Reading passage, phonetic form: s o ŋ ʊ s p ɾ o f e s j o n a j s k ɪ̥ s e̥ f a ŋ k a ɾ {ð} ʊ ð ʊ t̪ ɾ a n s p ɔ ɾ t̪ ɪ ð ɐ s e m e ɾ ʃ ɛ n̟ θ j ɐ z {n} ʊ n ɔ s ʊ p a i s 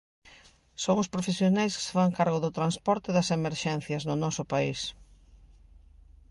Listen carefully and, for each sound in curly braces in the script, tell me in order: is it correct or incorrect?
incorrect: ɣ, correct

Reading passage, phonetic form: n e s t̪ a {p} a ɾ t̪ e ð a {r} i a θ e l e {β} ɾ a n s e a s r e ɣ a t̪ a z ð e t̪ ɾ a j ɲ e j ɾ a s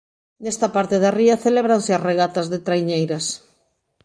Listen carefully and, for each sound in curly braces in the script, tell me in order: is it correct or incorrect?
correct, correct, correct

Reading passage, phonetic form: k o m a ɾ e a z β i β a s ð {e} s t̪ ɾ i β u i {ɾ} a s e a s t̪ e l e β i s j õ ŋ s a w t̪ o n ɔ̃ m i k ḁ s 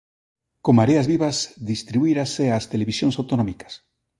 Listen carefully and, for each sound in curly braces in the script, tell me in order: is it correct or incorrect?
incorrect: i, correct

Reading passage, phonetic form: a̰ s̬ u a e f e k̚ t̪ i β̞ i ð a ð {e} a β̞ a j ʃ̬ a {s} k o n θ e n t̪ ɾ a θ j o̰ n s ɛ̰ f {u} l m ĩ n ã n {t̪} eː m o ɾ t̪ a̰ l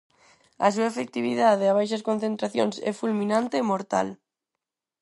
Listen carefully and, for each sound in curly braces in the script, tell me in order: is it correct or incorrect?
correct, correct, correct, correct

